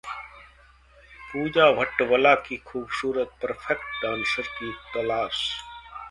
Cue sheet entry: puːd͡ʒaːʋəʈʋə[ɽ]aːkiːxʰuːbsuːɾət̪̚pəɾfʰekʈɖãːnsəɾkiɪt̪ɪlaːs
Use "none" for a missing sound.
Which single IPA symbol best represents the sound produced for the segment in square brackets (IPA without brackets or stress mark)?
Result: l